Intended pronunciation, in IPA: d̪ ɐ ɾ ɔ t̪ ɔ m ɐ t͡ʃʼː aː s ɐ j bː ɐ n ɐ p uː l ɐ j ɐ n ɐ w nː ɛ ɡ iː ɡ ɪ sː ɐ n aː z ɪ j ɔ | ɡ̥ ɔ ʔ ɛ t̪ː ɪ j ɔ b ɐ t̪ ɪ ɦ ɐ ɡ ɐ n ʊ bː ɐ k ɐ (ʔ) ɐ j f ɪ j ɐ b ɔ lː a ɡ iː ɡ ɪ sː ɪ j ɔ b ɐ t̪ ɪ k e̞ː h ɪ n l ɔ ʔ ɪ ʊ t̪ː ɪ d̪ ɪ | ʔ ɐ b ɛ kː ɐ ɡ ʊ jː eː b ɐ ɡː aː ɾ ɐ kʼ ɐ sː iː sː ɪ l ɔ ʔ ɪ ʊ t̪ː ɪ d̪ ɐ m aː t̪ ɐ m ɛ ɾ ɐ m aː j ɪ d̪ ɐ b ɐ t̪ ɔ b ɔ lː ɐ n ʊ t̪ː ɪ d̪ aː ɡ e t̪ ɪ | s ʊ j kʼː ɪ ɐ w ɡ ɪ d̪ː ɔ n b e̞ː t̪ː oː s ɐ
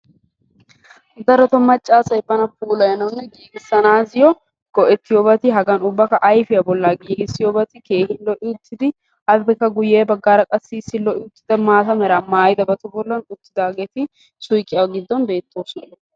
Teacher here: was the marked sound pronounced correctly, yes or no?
yes